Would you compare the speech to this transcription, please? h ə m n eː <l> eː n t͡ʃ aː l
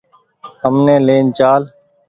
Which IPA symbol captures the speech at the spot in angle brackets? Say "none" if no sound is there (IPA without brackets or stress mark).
l